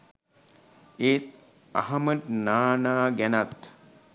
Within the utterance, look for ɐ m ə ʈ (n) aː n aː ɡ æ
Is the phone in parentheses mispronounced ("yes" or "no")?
no